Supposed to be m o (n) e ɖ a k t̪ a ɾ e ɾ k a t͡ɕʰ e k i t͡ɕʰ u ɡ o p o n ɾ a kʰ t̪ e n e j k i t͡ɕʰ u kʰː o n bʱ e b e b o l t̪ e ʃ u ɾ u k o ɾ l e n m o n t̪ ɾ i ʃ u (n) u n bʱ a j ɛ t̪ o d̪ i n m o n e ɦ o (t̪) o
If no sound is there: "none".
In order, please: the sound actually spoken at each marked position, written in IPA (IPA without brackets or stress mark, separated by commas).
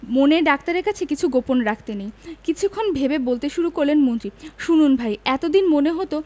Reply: n, n, t̪